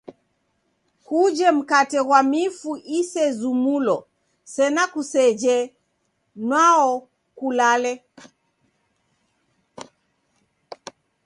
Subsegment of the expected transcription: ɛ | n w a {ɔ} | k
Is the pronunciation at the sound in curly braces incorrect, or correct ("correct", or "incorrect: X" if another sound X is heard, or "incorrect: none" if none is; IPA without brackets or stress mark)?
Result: correct